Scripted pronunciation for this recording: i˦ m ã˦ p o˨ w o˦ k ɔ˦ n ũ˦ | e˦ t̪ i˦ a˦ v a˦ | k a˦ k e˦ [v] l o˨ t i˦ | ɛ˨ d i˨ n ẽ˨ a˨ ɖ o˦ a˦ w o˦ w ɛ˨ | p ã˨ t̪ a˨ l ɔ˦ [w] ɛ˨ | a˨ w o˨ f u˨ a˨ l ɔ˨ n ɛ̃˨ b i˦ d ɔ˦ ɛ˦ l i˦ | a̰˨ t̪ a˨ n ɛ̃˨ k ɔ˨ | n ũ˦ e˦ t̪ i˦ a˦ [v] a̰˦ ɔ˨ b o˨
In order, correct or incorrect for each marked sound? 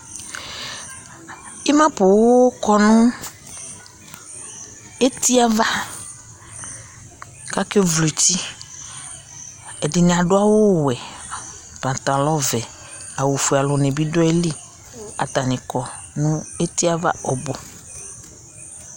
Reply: correct, incorrect: v, correct

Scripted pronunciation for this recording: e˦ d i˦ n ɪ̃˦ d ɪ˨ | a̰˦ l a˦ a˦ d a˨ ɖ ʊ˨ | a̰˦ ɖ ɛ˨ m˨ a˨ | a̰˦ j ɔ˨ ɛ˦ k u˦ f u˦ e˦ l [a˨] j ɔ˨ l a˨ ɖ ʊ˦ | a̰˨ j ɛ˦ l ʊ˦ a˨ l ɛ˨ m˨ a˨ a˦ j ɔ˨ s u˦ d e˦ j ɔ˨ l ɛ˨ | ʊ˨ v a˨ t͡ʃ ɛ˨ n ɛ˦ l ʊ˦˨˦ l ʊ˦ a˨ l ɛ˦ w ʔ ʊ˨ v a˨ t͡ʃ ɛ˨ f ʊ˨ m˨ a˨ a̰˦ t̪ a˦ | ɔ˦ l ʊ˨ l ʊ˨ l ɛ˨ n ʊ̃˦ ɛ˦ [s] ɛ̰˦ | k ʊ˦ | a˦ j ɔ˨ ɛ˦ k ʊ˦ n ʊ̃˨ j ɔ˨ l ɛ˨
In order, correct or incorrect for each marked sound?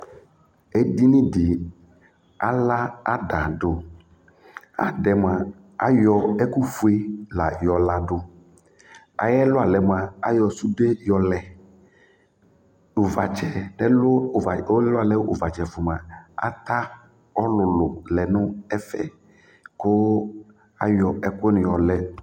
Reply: correct, incorrect: f

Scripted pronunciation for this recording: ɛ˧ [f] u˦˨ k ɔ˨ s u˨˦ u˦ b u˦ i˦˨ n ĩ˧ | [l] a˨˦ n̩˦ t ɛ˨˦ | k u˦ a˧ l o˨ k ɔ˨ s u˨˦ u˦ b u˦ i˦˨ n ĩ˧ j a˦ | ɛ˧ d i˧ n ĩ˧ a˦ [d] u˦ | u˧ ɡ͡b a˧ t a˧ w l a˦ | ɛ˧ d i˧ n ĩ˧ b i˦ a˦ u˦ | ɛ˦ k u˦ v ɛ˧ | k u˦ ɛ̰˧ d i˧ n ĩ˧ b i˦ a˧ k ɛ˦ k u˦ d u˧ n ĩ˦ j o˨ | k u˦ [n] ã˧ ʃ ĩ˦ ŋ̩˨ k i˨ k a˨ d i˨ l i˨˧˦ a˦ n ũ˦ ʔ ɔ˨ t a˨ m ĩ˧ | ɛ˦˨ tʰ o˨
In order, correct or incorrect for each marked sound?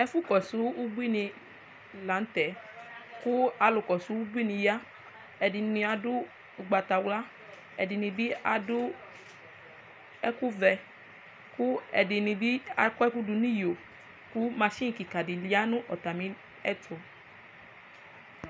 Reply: correct, correct, correct, incorrect: m

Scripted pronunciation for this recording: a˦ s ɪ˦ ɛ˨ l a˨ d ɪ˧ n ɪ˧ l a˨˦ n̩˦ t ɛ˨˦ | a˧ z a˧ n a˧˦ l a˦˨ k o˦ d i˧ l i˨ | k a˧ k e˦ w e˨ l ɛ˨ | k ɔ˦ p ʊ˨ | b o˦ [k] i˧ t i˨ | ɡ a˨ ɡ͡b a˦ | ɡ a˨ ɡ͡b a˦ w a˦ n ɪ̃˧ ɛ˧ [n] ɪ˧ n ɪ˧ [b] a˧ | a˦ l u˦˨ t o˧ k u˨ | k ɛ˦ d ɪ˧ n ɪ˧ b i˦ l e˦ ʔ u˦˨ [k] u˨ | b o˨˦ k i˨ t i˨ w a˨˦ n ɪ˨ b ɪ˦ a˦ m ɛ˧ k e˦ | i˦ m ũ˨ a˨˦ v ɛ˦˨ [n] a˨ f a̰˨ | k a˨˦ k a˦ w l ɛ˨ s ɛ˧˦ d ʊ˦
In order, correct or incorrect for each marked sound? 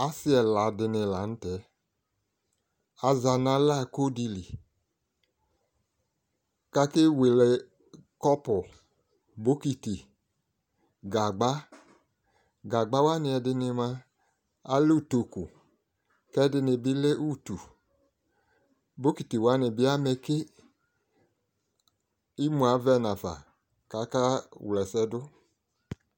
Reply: correct, incorrect: d, incorrect: m, incorrect: t, correct

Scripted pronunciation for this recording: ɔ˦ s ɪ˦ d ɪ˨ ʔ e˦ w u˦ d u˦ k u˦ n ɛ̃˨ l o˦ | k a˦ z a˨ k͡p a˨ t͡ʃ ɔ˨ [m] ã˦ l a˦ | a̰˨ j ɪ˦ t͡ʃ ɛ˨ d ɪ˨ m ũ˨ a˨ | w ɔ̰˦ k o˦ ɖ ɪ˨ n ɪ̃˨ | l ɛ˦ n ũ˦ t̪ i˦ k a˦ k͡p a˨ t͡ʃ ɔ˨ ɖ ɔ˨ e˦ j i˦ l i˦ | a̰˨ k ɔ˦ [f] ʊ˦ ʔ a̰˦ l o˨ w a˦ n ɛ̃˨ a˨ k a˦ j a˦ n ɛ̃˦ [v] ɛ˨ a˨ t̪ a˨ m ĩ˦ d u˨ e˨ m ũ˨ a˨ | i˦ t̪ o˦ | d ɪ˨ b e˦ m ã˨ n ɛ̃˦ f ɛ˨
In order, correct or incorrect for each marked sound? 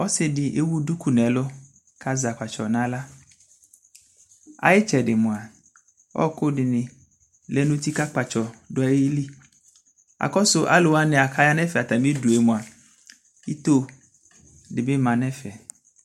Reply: incorrect: n, incorrect: s, incorrect: f

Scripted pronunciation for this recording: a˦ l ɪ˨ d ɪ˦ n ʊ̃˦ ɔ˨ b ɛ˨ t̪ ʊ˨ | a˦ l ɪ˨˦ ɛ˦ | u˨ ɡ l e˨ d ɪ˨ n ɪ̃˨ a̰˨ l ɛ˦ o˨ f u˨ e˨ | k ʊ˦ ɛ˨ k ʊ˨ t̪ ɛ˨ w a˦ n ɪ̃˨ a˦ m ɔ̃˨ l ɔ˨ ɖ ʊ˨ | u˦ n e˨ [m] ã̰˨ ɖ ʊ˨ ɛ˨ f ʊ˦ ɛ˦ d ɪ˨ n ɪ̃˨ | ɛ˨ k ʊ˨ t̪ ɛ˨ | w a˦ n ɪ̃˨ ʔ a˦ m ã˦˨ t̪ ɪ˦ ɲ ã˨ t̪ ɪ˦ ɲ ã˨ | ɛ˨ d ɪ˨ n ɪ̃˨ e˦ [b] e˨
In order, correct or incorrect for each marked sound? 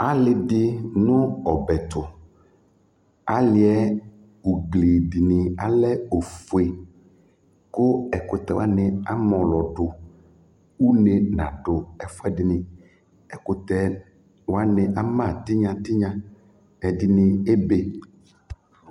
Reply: incorrect: n, correct

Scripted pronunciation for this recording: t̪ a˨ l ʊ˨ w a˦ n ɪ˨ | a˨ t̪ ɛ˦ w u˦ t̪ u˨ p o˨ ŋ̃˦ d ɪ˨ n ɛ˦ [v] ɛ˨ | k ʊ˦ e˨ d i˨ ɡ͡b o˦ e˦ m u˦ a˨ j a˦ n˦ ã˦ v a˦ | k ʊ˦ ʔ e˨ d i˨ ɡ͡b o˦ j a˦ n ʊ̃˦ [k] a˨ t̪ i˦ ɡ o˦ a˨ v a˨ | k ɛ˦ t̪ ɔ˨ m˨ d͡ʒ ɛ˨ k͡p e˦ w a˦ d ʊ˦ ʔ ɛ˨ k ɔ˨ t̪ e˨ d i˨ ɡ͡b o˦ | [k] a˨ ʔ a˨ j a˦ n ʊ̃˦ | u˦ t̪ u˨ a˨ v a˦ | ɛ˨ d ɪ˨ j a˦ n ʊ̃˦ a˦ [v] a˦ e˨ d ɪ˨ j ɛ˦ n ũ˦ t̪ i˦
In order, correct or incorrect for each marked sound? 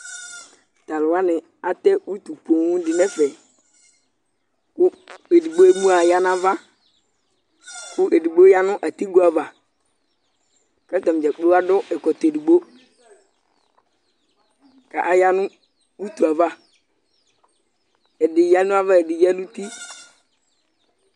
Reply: incorrect: f, incorrect: ʔ, correct, correct

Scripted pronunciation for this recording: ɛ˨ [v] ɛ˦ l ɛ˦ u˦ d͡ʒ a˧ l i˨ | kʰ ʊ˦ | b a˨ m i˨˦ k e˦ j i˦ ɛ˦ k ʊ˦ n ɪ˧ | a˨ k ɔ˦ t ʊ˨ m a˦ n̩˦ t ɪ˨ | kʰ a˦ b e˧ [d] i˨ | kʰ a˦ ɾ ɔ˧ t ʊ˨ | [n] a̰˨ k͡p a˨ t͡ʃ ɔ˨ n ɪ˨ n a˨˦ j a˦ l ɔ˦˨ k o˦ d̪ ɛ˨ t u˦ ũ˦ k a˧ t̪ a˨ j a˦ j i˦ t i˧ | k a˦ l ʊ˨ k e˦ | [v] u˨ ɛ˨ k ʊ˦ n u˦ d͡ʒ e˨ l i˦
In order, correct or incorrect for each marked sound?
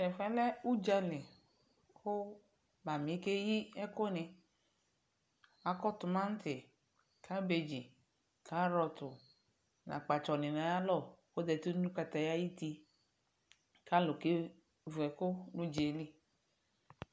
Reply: incorrect: f, incorrect: d͡ʒ, correct, correct

